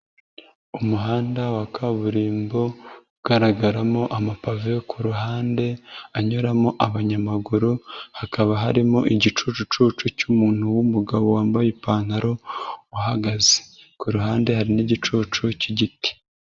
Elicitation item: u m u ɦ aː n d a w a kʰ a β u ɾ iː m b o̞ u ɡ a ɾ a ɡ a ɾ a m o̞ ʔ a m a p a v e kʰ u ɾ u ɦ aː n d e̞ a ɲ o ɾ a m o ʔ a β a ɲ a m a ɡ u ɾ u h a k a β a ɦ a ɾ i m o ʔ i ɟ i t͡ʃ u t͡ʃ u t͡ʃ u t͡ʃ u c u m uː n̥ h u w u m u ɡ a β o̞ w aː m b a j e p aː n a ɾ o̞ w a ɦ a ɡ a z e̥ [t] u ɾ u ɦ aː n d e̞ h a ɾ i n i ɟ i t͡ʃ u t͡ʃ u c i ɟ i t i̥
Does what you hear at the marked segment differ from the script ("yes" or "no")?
yes